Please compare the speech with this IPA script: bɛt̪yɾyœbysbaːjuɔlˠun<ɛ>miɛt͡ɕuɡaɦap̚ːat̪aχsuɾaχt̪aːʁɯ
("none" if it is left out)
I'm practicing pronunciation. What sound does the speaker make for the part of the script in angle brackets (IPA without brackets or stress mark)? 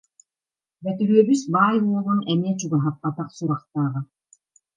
ɛ